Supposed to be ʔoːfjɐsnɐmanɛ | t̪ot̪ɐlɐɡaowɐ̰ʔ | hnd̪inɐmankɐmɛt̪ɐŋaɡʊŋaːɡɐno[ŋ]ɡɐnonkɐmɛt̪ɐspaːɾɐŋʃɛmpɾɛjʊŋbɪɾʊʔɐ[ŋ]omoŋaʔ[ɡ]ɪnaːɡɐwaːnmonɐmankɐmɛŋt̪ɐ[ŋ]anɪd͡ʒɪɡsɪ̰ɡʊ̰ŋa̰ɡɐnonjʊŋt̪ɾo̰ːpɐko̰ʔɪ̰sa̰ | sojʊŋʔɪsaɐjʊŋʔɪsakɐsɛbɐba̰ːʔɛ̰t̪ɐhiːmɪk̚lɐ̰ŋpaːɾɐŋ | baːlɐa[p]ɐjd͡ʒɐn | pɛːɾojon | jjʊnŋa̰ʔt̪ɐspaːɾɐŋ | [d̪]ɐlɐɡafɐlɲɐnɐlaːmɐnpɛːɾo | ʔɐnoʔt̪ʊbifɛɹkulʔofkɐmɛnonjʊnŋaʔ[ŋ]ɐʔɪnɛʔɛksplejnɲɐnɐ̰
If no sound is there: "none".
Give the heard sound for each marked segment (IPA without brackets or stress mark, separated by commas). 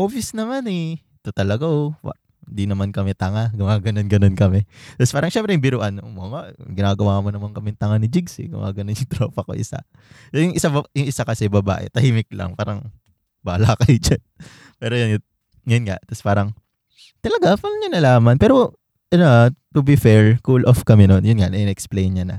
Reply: n, n, ɡ, ŋ, k, t̪, n